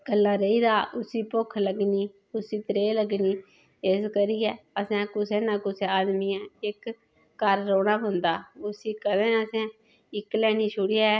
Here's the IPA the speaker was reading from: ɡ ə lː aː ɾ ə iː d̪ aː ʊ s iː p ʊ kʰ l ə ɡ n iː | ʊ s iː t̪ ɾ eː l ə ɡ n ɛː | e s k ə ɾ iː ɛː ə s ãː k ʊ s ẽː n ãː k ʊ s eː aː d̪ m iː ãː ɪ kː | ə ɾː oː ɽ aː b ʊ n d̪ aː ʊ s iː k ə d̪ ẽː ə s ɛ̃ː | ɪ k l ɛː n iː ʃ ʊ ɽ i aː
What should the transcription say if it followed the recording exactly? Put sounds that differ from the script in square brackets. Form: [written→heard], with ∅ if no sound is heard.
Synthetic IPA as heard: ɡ ə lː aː ɾ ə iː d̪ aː ʊ s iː p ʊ kʰ l ə ɡ n iː | ʊ s iː t̪ ɾ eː l ə ɡ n [ɛː→iː] | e s k ə ɾ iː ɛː ə s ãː k ʊ s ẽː n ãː k ʊ s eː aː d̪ m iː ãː ɪ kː | ə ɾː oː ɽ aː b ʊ n d̪ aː ʊ s iː k ə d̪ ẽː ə s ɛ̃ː | ɪ k l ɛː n iː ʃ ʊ ɽ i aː

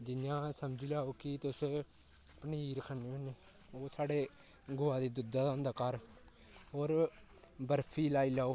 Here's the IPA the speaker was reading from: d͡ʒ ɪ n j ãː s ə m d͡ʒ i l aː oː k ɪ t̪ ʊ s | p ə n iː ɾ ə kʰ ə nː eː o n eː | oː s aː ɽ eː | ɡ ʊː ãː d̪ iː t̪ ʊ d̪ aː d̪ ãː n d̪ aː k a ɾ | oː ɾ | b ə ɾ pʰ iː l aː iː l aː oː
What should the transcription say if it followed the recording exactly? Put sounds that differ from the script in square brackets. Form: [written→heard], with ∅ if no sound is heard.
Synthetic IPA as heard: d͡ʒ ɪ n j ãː s ə m d͡ʒ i l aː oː k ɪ t̪ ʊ s | p ə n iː ɾ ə kʰ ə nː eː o n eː | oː s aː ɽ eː | ɡ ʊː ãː d̪ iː [t̪→d̪] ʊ d̪ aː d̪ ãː n d̪ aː k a ɾ | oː ɾ | b ə ɾ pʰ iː l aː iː l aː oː

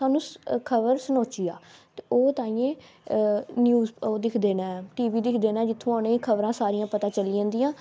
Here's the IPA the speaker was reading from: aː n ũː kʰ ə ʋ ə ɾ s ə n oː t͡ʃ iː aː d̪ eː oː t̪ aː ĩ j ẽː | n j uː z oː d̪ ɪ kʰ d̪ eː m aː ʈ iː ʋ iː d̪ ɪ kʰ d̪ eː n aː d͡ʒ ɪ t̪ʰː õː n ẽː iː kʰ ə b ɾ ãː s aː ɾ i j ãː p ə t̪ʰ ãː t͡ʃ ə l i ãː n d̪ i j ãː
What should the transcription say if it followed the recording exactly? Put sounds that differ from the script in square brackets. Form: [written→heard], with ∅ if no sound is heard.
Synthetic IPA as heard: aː n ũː kʰ ə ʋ ə ɾ s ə n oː t͡ʃ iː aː [d̪→t̪] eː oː t̪ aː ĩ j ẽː | n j uː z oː d̪ ɪ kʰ d̪ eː [m→n] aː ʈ iː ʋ iː d̪ ɪ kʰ d̪ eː n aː d͡ʒ ɪ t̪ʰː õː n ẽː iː kʰ ə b ɾ ãː s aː ɾ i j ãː p ə [t̪ʰ→t̪] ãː t͡ʃ ə l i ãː n d̪ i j ãː

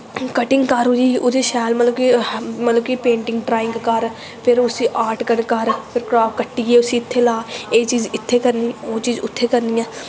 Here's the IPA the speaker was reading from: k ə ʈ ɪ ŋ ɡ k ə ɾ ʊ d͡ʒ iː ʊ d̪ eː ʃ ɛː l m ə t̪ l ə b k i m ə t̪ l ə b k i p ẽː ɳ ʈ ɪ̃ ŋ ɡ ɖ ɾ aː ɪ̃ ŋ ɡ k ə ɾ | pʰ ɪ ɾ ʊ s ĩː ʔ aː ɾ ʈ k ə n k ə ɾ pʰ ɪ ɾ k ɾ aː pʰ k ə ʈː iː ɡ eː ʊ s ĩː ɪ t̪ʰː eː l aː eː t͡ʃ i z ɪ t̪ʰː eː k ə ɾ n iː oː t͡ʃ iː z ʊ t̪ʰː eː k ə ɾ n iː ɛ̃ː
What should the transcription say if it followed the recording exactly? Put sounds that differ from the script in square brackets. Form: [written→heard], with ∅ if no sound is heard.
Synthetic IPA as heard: k ə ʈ ɪ ŋ ɡ k ə ɾ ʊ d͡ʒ iː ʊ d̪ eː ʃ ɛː l m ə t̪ l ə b k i m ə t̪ l ə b k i p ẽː ɳ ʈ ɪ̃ ŋ ɡ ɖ ɾ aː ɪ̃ ŋ ɡ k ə ɾ | pʰ ɪ ɾ ʊ s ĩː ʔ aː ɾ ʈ k ə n k ə ɾ pʰ ɪ ɾ k ɾ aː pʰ k ə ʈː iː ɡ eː ʊ s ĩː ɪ t̪ʰː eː l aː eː t͡ʃ [i→iː] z ɪ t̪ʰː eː k ə ɾ n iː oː t͡ʃ iː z ʊ t̪ʰː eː k ə ɾ n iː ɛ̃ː

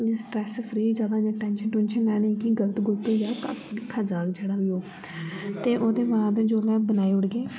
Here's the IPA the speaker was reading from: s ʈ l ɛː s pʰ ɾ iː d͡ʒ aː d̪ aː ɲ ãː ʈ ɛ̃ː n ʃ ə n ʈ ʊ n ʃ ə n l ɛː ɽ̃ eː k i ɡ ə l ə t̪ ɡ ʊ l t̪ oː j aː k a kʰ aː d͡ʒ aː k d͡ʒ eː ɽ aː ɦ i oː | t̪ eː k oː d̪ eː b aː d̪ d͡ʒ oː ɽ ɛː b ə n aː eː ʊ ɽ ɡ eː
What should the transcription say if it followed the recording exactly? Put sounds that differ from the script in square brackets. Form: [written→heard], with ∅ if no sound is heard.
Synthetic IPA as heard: s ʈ [l→ɾ] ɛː s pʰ ɾ iː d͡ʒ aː d̪ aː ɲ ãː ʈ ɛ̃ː n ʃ ə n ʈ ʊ n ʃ ə n l ɛː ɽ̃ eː k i ɡ ə l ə t̪ ɡ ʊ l t̪ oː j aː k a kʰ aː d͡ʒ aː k d͡ʒ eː ɽ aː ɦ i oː | t̪ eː [k→ʔ] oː d̪ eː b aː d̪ d͡ʒ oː [ɽ→l] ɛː b ə n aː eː ʊ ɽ ɡ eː

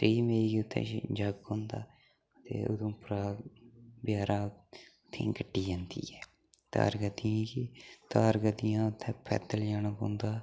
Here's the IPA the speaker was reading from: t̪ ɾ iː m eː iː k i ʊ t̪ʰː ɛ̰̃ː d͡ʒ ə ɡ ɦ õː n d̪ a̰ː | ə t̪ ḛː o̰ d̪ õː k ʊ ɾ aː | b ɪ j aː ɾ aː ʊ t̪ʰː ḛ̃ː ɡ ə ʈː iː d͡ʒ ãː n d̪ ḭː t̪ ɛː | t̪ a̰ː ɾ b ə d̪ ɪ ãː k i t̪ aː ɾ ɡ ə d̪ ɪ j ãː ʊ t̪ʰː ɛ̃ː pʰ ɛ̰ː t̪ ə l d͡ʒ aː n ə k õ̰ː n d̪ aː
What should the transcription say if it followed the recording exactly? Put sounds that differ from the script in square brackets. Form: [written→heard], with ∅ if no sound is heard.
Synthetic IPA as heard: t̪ ɾ iː m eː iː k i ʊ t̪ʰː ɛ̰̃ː d͡ʒ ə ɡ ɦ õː n d̪ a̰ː | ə t̪ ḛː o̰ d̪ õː [k→p] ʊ ɾ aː | b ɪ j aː ɾ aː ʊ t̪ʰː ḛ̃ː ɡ ə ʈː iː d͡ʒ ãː n d̪ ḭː [t̪→∅] ɛː | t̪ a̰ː ɾ [b→ɡ] ə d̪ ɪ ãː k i t̪ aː ɾ ɡ ə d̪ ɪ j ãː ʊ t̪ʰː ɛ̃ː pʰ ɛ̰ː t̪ ə l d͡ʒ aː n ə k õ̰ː n d̪ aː

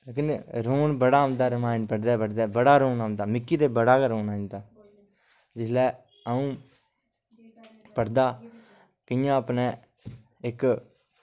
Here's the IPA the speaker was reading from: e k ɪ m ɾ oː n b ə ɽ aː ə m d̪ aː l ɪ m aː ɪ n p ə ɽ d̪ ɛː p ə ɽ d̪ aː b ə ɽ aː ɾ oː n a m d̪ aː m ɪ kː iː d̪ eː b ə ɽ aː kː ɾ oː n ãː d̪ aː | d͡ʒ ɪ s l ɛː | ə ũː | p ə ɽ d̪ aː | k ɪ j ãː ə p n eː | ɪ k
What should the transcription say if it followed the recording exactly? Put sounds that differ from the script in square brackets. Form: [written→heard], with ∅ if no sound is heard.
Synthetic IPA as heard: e k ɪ [m→n] ɾ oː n b ə ɽ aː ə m d̪ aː [l→ɾ] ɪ m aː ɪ n p ə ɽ d̪ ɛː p ə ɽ d̪ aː b ə ɽ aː ɾ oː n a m d̪ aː m ɪ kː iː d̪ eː b ə ɽ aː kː ɾ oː n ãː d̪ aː | d͡ʒ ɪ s l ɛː | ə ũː | p ə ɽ d̪ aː | k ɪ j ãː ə p n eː | ɪ k

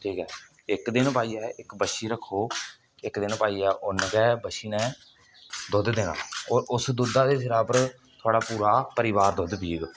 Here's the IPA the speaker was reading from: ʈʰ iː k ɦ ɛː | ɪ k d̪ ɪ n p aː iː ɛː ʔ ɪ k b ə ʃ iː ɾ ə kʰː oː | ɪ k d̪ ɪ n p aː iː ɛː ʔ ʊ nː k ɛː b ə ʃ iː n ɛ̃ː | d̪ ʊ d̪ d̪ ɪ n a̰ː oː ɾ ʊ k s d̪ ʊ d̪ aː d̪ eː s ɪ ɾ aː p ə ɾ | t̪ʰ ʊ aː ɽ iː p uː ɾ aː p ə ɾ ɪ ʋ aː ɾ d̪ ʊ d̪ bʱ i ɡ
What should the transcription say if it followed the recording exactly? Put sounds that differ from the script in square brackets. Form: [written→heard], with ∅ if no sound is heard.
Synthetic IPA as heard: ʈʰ iː k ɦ ɛː | ɪ k d̪ ɪ n p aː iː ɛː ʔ ɪ k b ə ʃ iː ɾ ə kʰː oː | ɪ k d̪ ɪ n p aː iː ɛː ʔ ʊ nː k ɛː b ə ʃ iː n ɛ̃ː | d̪ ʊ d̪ d̪ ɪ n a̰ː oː ɾ ʊ [k→∅] s d̪ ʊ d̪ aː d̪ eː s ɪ ɾ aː p ə ɾ | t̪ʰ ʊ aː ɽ [iː→aː] p uː ɾ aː p ə ɾ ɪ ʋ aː ɾ d̪ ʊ d̪ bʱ [i→iː] ɡ

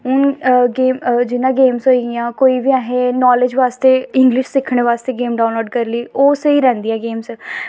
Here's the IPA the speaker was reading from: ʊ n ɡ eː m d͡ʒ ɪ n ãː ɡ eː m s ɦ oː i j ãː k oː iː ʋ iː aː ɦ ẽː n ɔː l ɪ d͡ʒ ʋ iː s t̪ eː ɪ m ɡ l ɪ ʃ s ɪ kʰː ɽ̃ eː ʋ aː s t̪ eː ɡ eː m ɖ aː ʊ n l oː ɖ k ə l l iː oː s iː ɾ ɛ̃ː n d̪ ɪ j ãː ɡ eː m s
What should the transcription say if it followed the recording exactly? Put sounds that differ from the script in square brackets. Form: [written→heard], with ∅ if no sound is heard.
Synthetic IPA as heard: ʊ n ɡ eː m d͡ʒ ɪ n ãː ɡ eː m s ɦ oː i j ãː k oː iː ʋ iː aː ɦ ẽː n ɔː l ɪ d͡ʒ ʋ [iː→aː] s t̪ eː ɪ [m→ŋ] ɡ l ɪ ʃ s ɪ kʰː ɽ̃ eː ʋ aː s t̪ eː ɡ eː m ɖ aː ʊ n l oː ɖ k ə [l→ɾ] l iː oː s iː ɾ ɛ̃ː n d̪ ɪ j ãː ɡ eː m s

